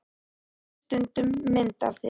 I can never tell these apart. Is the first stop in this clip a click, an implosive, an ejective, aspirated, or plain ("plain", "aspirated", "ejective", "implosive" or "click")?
plain